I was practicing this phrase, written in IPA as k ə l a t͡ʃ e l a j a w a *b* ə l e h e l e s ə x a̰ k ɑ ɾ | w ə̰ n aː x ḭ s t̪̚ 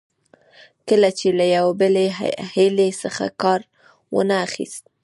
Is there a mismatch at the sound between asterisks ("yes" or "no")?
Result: no